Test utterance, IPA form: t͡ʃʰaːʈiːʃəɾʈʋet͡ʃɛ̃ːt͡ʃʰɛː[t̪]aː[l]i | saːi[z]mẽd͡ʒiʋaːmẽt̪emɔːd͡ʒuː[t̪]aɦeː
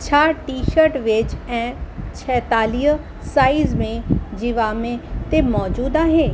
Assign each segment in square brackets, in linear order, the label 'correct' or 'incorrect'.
correct, correct, correct, incorrect

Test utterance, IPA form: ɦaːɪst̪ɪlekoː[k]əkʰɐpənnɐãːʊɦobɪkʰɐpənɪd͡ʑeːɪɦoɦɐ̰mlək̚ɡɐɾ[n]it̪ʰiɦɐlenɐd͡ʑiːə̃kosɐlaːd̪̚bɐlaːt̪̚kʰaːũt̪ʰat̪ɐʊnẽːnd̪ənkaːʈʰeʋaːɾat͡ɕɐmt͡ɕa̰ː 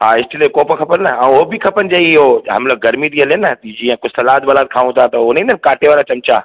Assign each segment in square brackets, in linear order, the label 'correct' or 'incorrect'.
incorrect, incorrect

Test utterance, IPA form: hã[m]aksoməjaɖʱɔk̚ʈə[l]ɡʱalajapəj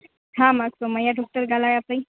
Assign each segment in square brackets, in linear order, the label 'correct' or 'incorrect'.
correct, incorrect

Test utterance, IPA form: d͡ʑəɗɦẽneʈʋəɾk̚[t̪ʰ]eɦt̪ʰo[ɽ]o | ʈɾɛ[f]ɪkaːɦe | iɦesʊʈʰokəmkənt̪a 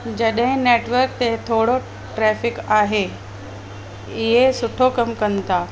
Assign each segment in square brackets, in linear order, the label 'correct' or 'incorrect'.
incorrect, correct, correct

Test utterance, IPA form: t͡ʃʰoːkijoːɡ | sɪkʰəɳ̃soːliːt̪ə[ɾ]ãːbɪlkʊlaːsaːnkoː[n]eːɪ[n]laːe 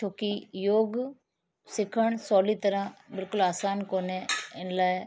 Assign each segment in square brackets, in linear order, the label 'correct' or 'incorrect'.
correct, correct, correct

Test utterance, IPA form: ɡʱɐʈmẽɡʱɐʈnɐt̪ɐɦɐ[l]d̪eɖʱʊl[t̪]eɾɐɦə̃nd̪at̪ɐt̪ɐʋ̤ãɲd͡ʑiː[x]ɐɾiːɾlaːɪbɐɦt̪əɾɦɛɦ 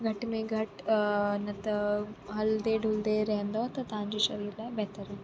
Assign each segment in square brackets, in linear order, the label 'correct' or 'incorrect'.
correct, incorrect, incorrect

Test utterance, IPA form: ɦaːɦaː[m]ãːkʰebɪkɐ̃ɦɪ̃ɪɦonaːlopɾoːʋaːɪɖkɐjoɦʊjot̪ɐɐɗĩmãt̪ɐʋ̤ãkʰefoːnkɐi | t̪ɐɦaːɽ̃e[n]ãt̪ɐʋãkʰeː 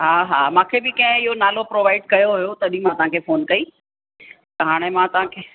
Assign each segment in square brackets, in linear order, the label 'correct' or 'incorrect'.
correct, incorrect

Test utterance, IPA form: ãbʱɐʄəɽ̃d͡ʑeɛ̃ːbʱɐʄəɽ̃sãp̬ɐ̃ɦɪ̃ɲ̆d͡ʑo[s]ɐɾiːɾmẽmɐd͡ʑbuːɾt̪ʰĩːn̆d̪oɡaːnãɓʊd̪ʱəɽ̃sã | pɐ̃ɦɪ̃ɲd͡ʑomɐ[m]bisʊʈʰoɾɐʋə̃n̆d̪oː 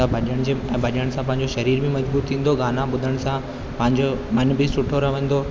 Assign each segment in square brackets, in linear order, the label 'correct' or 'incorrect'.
incorrect, incorrect

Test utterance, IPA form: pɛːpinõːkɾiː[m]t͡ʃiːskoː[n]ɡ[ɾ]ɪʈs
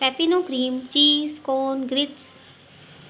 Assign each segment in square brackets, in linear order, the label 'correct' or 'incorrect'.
correct, correct, correct

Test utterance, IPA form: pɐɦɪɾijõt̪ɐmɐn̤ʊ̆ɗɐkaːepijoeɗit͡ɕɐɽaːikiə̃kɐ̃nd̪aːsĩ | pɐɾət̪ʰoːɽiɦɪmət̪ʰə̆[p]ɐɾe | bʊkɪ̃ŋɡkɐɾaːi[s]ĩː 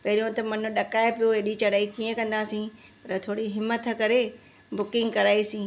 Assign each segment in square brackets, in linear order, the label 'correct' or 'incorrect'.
incorrect, correct

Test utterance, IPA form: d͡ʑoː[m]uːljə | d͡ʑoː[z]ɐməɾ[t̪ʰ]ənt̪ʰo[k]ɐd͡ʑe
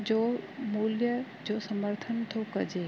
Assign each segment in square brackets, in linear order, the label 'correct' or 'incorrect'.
correct, incorrect, correct, correct

